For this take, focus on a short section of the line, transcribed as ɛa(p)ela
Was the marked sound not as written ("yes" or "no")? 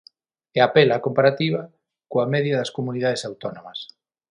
no